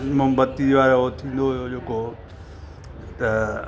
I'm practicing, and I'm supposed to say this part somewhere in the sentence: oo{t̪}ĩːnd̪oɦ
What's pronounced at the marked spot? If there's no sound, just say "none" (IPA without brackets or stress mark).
t̪ʰ